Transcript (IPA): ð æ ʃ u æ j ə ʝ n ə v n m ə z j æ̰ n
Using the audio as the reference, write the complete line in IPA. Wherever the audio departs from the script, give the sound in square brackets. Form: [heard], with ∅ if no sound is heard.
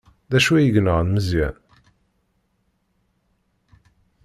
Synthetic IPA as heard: ð æ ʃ u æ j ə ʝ n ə [ʁ] n m ə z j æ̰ n